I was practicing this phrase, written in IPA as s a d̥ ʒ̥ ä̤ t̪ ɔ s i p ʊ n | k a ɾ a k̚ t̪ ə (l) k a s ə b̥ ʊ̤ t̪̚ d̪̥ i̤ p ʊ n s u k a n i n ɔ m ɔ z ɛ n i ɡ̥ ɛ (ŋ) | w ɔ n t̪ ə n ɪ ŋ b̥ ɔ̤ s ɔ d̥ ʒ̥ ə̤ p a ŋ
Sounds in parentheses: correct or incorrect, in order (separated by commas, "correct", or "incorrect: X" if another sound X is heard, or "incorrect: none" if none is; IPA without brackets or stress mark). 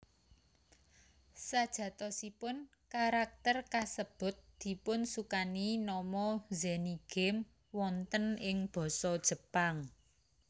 incorrect: r, incorrect: m